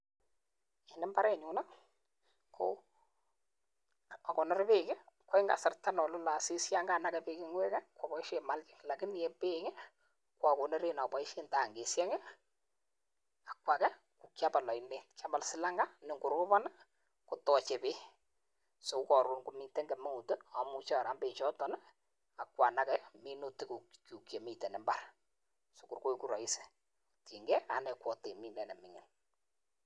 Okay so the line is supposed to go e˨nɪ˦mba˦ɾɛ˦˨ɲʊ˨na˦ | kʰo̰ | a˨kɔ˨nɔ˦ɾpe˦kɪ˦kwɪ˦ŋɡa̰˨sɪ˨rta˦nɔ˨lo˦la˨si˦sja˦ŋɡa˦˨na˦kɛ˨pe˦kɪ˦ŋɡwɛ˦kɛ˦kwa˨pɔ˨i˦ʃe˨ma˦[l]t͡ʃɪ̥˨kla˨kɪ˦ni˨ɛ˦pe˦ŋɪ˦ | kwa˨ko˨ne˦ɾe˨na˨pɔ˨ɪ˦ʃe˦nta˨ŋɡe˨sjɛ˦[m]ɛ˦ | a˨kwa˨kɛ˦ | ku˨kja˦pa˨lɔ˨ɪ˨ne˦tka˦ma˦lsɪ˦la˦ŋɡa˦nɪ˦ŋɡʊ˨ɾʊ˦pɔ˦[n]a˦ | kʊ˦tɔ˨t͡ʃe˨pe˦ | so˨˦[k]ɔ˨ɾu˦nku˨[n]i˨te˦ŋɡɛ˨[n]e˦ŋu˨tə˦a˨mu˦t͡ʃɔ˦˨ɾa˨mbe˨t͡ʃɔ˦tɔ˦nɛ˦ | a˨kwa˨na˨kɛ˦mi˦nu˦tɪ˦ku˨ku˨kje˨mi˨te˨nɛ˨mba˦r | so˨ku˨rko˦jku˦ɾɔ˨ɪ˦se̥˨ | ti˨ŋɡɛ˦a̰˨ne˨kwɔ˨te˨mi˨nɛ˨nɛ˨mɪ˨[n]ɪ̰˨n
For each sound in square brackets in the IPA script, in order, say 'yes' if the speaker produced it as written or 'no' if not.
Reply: yes, no, yes, yes, no, no, no

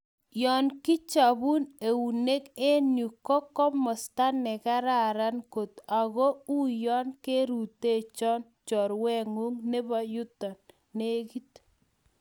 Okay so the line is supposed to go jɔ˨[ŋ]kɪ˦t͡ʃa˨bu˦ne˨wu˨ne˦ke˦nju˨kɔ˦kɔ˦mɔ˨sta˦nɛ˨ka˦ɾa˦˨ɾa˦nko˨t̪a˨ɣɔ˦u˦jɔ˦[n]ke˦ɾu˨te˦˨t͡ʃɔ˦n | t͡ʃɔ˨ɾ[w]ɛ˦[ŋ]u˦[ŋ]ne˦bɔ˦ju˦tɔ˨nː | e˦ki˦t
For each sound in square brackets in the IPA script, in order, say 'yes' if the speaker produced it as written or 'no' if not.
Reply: no, yes, yes, yes, yes

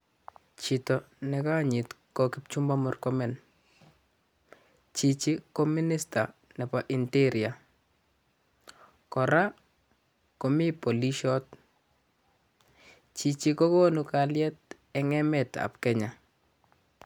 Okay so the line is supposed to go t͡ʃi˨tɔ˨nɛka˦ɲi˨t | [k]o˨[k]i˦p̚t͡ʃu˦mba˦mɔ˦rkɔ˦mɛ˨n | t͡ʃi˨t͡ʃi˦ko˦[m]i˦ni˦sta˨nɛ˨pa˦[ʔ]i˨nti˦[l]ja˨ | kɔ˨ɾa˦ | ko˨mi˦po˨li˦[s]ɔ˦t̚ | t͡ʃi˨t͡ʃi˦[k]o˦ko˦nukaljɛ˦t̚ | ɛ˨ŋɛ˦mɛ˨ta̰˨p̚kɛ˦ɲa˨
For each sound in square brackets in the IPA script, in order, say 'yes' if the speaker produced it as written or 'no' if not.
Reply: yes, yes, yes, yes, no, no, yes

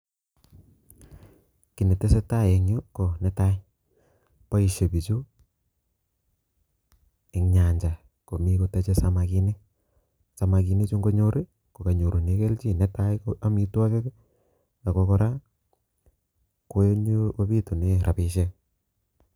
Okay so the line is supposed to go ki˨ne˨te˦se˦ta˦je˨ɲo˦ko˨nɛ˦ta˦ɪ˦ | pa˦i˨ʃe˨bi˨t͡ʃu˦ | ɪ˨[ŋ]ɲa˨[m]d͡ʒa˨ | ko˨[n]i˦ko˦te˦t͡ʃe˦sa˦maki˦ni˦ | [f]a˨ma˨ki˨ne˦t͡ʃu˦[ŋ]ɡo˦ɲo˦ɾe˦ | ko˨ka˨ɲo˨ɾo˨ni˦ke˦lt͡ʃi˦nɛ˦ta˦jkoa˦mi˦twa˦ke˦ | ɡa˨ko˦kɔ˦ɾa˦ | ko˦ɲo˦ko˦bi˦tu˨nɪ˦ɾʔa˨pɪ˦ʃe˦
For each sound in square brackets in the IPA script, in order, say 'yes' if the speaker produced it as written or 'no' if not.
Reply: yes, no, no, no, yes

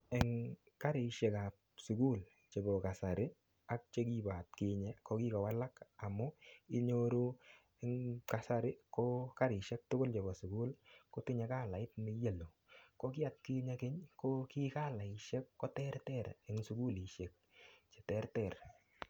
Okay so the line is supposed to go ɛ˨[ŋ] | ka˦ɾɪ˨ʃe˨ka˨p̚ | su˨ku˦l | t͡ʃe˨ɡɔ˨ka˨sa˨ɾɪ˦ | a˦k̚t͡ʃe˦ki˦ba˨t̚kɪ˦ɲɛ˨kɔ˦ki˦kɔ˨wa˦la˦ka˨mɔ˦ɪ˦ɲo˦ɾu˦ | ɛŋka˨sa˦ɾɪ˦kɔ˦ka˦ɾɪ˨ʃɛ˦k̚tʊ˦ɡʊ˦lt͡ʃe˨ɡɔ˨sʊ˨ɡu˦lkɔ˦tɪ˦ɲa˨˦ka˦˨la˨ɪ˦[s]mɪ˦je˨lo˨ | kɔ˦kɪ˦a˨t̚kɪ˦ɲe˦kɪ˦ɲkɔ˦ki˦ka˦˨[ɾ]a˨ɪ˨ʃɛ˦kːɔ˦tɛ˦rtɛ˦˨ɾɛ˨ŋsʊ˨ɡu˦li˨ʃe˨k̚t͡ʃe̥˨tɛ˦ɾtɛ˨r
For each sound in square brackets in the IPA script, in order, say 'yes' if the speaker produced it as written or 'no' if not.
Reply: yes, no, no

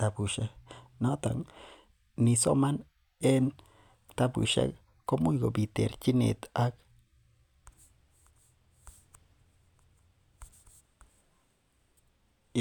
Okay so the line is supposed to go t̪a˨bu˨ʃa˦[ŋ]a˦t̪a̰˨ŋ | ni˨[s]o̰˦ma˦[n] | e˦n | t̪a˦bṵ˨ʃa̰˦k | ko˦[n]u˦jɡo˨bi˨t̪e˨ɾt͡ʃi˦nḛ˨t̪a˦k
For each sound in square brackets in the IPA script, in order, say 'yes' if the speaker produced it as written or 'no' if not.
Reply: no, yes, yes, no

